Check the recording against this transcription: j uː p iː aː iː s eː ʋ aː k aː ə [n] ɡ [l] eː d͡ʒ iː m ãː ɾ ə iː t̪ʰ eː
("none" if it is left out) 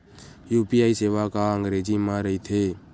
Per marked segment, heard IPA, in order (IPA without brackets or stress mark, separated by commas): ŋ, ɾ